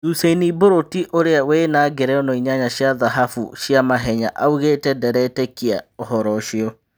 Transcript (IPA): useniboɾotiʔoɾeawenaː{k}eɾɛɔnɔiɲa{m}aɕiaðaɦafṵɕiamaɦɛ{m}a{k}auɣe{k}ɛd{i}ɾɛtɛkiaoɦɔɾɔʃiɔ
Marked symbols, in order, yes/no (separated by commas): no, no, no, no, no, no